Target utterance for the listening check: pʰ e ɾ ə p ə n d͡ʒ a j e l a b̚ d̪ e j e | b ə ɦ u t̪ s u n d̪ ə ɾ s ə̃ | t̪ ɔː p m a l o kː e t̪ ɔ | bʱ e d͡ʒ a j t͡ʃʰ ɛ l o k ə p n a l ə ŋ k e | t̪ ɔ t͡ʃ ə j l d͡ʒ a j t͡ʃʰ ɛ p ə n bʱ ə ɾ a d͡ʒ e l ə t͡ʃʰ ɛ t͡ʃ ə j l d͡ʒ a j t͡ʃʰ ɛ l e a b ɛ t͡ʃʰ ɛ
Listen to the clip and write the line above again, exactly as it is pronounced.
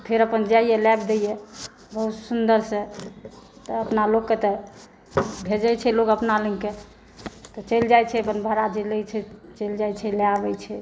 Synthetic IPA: pʰ e ɾ ə p ə n d͡ʒ a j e l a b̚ d̪ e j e | b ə ɦ u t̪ s u n d̪ ə ɾ s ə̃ | t̪ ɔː p n a l o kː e t̪ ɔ | bʱ e d͡ʒ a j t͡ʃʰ ɛ l o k ə p n a l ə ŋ k e | t̪ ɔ t͡ʃ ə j l d͡ʒ a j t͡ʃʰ ɛ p ə n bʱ ə ɾ a d͡ʒ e l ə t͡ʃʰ ɛ t͡ʃ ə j l d͡ʒ a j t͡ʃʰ ɛ l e a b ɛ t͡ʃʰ ɛ

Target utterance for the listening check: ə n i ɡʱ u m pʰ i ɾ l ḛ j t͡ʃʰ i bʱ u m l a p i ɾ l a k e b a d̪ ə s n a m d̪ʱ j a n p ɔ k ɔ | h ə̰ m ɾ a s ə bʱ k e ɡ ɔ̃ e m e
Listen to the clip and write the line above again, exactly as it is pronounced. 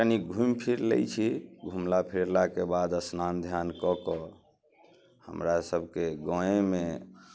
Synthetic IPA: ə n i ɡʱ u m pʰ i ɾ l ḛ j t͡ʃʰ i ɡʱ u m l a pʰ i ɾ l a k e b a d̪ ə s n a n d̪ʱ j a n k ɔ k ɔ | h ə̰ m ɾ a s ə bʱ k e ɡ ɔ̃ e m e

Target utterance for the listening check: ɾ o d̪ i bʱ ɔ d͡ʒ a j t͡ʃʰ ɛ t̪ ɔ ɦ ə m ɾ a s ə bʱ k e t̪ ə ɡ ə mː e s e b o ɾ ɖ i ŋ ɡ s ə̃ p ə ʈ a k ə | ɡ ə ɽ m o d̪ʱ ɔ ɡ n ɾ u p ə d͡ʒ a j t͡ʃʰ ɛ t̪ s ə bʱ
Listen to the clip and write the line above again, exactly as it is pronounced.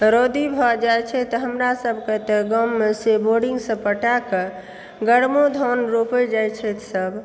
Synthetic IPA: ɾ o d̪ i bʱ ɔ d͡ʒ a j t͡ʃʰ ɛ t̪ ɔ ɦ ə m ɾ a s ə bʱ k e t̪ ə ɡ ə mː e s e b o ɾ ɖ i ŋ ɡ s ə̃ p ə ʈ a k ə | ɡ ə ɽ m o d̪ʱ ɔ n ɾ o p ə d͡ʒ a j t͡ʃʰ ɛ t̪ s ə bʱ

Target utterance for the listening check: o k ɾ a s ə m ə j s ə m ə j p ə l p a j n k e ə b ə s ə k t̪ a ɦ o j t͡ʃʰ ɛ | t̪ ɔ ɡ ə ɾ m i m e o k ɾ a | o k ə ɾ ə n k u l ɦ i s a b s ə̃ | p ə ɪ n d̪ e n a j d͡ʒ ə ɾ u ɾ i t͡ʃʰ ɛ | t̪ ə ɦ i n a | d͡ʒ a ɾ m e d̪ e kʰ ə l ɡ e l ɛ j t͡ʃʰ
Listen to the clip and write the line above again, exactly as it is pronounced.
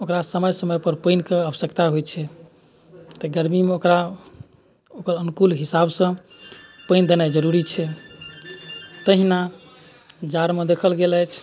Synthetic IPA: o k ɾ a s ə m ə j s ə m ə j p ə ɾ p ə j n k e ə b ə s ə k t̪ a ɦ o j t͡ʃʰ ɛ | t̪ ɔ ɡ ə ɾ m i m e o k ɾ a | o k ə ɾ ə n k u l ɦ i s a b s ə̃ | p ə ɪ n d̪ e n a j d͡ʒ ə ɾ u ɾ i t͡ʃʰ ɛ | t̪ ə ɦ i n a | d͡ʒ a ɾ m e d̪ e kʰ ə l ɡ e l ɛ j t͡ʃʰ

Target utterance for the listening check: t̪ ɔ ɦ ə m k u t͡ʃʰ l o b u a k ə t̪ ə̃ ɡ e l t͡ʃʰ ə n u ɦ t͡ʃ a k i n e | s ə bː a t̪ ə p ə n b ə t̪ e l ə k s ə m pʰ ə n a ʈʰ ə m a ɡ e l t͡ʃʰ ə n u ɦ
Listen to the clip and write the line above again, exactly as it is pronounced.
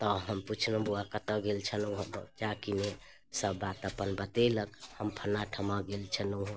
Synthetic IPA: t̪ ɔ ɦ ə m p u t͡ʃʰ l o b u a k ə t̪ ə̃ ɡ e l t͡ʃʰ ə n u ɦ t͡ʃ a k i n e | s ə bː a t̪ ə p ə n b ə t̪ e l ə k h ə m pʰ ə n a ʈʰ ə m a ɡ e l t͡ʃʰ ə n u ɦ

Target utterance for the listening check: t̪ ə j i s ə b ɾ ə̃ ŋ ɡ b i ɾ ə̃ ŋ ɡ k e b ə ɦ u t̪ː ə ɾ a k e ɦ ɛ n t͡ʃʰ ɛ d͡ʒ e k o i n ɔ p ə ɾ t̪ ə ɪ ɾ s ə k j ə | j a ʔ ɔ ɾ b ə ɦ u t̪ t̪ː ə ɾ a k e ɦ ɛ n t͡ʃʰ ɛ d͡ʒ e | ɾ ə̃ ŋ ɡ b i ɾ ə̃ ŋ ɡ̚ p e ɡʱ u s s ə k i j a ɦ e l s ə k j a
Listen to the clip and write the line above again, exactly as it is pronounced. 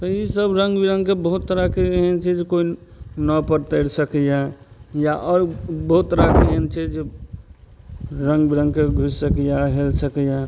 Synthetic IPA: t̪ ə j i s ə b ɾ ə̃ ŋ ɡ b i ɾ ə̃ ŋ ɡ k e b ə ɦ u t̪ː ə ɾ a k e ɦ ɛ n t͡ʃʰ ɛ d͡ʒ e k o i n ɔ p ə ɾ t̪ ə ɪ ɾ s ə k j a | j a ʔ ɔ ɾ b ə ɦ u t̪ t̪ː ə ɾ a k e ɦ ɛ n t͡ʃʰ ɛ d͡ʒ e | ɾ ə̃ ŋ ɡ b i ɾ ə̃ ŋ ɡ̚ k e ɡʱ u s s ə k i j a ɦ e l s ə k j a

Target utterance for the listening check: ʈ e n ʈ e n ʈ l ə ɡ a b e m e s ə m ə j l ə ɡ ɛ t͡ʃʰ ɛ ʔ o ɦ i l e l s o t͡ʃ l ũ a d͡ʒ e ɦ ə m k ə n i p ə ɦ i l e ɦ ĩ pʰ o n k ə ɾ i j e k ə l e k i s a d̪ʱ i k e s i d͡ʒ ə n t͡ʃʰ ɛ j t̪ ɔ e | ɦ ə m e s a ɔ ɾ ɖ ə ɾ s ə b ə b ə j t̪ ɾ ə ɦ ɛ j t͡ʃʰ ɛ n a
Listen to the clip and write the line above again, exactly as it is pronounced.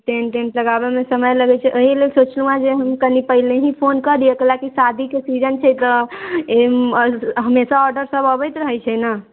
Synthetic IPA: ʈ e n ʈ e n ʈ l ə ɡ a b e m e s ə m ə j l ə ɡ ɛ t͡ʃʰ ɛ ʔ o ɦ i l e l s o t͡ʃ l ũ a d͡ʒ e ɦ ə m k ə n i p ə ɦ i l e ɦ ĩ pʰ o n k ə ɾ i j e k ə l a k i s a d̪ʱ i k e s i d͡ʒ ə n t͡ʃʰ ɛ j t̪ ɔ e | ɦ ə m e s a ɔ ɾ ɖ ə ɾ s ə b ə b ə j t̪ ɾ ə ɦ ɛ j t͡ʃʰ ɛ n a

